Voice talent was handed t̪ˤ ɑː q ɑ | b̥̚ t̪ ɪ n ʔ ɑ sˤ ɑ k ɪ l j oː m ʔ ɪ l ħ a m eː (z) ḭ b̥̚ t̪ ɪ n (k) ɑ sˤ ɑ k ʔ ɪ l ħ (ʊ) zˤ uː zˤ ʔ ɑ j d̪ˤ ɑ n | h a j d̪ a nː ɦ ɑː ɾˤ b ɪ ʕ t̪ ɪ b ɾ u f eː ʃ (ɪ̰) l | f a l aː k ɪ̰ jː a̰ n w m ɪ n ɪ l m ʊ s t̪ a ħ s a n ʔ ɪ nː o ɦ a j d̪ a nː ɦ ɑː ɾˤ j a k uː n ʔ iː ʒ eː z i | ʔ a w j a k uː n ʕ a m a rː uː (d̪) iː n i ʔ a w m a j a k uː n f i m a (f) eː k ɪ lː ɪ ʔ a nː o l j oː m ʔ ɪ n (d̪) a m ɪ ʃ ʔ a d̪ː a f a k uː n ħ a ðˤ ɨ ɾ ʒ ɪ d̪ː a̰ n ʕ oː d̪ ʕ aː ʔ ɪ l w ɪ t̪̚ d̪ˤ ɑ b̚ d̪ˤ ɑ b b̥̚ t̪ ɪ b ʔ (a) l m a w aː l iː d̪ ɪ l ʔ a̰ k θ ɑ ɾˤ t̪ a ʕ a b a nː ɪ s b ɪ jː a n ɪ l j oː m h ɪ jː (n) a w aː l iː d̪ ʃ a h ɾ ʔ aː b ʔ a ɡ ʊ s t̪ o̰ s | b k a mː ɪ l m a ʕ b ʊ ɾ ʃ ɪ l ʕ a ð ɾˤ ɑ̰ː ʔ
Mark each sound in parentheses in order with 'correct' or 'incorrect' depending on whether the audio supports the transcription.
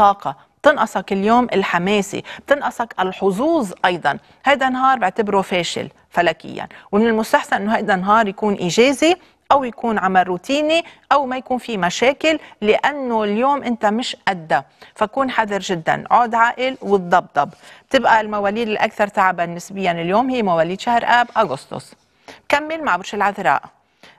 incorrect: s, incorrect: ʔ, correct, correct, incorrect: t̪, incorrect: ʃ, incorrect: t̪, correct, incorrect: m

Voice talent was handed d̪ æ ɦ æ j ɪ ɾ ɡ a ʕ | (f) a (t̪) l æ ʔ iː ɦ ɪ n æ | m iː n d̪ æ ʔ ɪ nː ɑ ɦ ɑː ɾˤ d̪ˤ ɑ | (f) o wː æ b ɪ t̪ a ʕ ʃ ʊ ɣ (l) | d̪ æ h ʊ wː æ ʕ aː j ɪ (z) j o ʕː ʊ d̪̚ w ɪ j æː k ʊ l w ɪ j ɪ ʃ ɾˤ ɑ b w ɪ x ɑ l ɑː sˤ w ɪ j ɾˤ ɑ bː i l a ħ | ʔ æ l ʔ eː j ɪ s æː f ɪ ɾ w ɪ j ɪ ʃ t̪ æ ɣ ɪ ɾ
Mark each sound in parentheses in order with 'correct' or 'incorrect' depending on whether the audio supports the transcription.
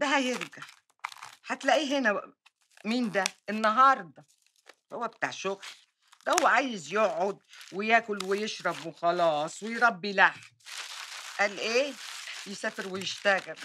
incorrect: ħ, correct, incorrect: h, correct, correct

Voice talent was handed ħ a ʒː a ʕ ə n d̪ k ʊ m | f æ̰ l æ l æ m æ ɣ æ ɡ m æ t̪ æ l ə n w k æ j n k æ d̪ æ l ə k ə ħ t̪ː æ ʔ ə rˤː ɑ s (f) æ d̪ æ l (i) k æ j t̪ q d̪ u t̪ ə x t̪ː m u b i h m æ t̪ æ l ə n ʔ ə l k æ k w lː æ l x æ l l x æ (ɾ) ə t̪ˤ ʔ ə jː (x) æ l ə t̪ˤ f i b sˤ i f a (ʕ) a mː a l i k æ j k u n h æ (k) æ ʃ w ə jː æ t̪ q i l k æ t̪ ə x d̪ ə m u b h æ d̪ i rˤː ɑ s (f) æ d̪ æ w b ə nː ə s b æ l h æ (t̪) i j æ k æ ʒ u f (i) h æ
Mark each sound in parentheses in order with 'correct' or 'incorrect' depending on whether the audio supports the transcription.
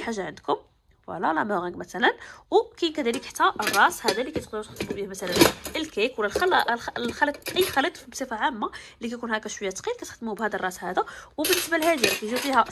incorrect: h, correct, incorrect: l, correct, correct, correct, incorrect: h, incorrect: d̪, correct

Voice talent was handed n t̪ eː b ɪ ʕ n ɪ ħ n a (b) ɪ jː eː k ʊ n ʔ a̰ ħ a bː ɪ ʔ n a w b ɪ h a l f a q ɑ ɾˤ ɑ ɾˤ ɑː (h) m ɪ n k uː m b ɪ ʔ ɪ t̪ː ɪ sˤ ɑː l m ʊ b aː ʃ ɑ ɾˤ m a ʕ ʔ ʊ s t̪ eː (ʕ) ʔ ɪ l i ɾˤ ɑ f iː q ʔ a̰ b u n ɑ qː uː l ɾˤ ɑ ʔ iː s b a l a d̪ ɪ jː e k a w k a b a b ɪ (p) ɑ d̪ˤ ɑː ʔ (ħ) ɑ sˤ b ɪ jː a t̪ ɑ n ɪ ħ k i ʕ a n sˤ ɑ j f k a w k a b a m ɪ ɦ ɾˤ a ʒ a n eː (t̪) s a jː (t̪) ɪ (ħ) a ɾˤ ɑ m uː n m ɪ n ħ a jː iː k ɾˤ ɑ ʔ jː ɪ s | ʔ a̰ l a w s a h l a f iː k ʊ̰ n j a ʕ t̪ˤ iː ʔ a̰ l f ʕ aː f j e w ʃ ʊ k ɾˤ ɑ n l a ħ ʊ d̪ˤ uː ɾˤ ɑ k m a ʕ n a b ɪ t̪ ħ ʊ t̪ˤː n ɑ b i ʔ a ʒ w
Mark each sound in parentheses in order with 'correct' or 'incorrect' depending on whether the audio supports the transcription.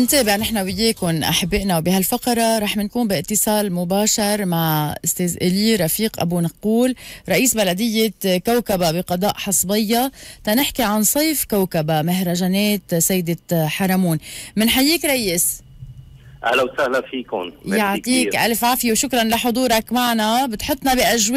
incorrect: w, incorrect: ħ, incorrect: z, incorrect: q, correct, correct, incorrect: d̪, correct

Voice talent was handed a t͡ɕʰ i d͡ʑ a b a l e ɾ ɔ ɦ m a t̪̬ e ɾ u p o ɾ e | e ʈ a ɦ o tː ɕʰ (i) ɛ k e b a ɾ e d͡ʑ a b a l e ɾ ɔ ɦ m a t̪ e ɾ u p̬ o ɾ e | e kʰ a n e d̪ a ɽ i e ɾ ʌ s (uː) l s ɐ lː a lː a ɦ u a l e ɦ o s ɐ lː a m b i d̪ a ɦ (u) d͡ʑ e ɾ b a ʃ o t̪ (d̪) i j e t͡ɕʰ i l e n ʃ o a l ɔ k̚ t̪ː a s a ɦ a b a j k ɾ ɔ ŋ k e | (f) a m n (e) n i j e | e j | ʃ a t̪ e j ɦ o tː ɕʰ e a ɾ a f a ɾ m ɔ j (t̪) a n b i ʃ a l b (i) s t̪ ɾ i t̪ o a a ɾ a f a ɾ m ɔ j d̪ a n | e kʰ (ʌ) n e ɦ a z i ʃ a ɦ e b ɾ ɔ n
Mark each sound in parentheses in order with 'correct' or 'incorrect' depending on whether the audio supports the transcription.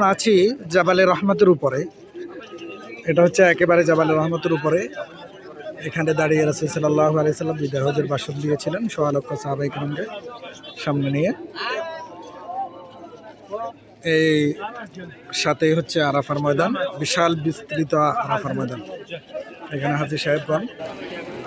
incorrect: e, incorrect: u, incorrect: o, correct, incorrect: ʃ, correct, incorrect: d̪, correct, incorrect: a

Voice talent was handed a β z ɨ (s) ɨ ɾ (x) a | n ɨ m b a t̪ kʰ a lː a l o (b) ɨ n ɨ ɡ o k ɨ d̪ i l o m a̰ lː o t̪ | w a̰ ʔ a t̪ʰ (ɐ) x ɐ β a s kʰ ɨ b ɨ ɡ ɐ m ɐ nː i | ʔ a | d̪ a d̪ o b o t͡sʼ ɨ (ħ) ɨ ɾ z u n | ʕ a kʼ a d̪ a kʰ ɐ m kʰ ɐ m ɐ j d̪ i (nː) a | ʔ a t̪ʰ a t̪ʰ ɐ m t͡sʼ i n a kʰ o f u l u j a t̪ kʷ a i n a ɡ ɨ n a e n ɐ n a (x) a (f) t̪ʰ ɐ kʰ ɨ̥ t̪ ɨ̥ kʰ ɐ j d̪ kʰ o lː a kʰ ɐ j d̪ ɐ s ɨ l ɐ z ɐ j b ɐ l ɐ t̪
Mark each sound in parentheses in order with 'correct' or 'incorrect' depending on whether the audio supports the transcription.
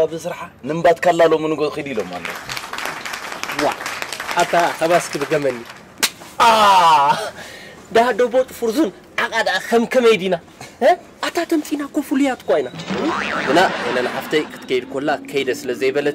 correct, incorrect: ħ, incorrect: m, incorrect: a, incorrect: f, incorrect: n, incorrect: ħ, correct

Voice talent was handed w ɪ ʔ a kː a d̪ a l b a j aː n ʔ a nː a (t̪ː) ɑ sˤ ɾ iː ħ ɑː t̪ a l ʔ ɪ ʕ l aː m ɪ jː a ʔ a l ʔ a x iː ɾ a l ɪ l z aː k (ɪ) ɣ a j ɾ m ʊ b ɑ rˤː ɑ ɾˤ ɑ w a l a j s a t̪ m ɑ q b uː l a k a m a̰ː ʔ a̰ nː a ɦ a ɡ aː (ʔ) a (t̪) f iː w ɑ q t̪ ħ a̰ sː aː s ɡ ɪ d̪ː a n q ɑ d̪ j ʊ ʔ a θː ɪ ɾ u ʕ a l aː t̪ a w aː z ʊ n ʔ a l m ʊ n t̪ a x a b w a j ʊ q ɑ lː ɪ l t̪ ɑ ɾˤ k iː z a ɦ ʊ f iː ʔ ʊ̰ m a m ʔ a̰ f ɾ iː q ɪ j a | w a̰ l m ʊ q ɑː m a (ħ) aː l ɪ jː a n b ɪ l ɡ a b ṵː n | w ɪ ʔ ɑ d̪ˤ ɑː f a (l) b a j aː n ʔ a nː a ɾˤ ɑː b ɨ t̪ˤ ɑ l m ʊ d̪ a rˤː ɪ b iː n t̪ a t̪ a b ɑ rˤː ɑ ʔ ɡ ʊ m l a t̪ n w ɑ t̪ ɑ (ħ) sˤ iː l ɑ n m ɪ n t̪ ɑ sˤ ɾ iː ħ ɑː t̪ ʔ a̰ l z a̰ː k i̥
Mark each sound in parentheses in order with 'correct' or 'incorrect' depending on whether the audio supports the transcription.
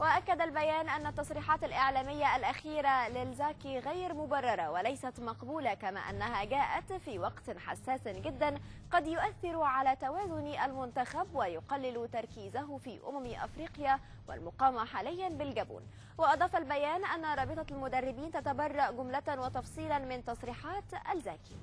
correct, incorrect: i, correct, correct, correct, correct, incorrect: f

